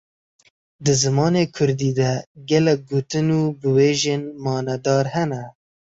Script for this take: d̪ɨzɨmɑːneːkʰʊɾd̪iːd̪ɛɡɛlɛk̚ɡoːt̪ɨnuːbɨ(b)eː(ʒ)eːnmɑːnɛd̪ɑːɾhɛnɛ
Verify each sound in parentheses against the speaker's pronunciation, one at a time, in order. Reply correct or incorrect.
incorrect, correct

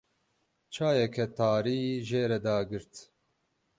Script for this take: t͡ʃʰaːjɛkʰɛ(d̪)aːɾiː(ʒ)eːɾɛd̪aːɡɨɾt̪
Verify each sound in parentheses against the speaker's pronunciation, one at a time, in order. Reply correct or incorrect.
incorrect, correct

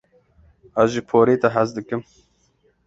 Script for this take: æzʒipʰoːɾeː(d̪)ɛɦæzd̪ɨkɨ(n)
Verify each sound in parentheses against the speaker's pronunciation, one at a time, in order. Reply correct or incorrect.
incorrect, incorrect

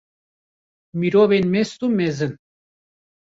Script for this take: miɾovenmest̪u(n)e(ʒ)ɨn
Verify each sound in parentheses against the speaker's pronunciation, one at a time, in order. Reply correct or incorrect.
incorrect, incorrect

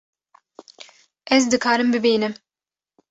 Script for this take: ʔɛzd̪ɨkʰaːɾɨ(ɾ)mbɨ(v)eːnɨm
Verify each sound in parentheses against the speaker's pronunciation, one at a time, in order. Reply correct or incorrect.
incorrect, incorrect

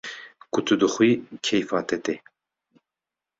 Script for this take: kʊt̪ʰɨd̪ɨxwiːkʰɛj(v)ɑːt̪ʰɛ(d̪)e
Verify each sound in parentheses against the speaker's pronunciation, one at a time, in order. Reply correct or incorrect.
incorrect, incorrect

